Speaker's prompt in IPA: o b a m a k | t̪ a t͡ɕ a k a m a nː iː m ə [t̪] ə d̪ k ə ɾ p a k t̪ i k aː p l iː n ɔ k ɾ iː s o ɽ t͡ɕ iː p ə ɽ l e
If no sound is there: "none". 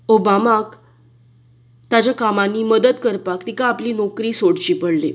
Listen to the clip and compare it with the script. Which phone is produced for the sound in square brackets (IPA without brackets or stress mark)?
d̪